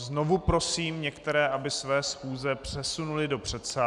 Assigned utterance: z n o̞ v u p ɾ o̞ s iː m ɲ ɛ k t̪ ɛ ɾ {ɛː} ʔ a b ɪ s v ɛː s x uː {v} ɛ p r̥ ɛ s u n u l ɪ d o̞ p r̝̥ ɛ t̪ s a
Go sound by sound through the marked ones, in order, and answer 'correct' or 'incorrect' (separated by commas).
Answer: correct, incorrect